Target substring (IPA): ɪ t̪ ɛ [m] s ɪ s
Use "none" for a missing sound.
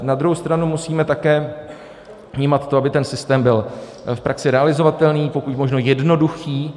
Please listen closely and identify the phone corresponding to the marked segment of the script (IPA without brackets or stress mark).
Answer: n